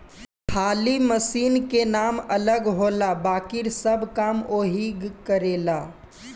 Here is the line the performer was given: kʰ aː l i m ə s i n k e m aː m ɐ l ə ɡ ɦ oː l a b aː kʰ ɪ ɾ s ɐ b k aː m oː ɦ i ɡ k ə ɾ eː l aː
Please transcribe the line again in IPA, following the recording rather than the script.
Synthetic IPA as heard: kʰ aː l i m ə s iː n k e n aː m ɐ l ə ɡ ɦ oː l a b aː k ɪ ɾ s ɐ b k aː m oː ɦ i ɡ k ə ɾ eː l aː